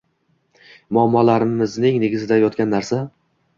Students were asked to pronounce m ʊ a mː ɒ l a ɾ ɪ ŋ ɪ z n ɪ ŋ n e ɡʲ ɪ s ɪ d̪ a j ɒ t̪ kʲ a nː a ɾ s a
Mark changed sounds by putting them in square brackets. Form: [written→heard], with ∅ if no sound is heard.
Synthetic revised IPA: m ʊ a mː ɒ l a ɾ ɪ [ŋ→m] ɪ z n ɪ ŋ n e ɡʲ ɪ [s→z] ɪ d̪ a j ɒ t̪ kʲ a nː a ɾ s a